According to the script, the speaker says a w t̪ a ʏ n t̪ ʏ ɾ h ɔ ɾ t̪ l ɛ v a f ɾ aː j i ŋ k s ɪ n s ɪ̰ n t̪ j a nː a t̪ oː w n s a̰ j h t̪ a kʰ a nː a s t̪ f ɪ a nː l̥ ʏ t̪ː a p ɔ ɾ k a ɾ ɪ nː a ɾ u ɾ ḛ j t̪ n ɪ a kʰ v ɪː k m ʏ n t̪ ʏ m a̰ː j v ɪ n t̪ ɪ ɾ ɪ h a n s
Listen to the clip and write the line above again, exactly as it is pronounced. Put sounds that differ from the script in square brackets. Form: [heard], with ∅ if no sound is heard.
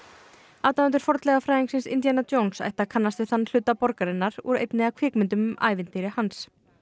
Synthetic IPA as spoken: a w t̪ a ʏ n t̪ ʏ ɾ [f] ɔ ɾ t̪ l ɛ [ɣ] a f ɾ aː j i ŋ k s ɪ n s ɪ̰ n t̪ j a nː a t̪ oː w n s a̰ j h t̪ a kʰ a nː a s t̪ [v] ɪ a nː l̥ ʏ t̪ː a p ɔ ɾ k a ɾ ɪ nː a ɾ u ɾ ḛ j t̪ n ɪ a kʰ v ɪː k m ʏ n t̪ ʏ m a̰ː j v ɪ n t̪ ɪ ɾ ɪ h a n s